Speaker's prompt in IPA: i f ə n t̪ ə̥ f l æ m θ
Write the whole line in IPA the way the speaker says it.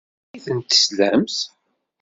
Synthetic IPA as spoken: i θ ə n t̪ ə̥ s l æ m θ